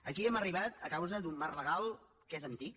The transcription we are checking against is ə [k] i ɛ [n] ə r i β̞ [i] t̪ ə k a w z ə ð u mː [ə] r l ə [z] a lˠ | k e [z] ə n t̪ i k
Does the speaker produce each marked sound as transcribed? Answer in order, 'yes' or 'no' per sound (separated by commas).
yes, no, no, no, no, yes